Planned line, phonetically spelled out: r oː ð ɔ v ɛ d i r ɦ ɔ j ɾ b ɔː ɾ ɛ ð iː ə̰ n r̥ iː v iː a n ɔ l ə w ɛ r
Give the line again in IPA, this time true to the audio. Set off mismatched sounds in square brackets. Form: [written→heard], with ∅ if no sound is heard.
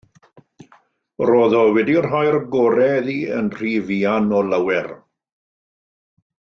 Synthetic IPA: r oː ð ɔ [v→w] ɛ d i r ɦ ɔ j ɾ [b→ɡ] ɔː ɾ ɛ ð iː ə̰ n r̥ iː v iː a n ɔ l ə w ɛ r